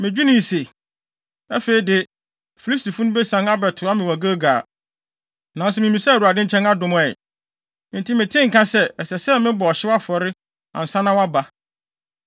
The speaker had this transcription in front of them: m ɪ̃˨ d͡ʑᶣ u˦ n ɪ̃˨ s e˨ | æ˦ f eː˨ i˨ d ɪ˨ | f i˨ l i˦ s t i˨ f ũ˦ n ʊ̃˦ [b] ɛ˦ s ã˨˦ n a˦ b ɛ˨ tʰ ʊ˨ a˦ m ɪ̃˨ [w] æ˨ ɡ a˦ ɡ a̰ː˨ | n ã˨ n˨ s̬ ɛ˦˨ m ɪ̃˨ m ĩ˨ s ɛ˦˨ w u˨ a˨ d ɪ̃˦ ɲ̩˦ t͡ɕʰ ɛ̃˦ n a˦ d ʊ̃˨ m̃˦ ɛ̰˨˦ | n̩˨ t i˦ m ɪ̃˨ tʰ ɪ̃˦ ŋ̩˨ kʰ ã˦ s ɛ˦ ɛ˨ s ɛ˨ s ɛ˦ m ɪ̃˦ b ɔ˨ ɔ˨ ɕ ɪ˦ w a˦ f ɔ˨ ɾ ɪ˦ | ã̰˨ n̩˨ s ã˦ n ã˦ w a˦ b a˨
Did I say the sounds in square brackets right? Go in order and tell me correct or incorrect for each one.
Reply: correct, correct

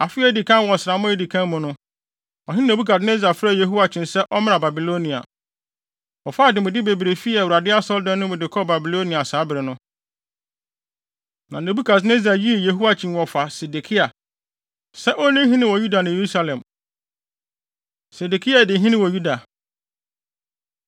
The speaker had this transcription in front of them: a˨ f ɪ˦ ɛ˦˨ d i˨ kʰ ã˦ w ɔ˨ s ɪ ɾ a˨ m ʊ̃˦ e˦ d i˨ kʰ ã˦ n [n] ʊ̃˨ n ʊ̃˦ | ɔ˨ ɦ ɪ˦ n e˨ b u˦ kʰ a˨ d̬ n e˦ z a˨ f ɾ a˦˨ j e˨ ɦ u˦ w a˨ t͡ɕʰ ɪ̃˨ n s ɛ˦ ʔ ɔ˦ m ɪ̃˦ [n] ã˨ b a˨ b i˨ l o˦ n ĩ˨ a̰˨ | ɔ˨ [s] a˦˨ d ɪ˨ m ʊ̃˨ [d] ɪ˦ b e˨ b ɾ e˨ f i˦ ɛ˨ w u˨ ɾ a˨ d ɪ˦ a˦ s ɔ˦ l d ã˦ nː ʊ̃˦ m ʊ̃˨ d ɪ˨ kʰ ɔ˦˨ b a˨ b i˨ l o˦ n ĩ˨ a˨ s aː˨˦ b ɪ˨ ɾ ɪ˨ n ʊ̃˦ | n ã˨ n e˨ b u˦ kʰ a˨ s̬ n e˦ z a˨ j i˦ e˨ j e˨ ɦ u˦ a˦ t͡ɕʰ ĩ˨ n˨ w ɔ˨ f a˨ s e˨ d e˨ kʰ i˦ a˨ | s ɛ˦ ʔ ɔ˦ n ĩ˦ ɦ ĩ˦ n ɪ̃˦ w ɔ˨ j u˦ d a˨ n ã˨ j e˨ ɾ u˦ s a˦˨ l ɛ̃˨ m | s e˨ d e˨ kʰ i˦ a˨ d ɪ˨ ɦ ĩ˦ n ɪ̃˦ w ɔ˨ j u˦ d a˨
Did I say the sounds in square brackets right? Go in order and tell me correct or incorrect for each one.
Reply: incorrect: m, correct, incorrect: f, correct

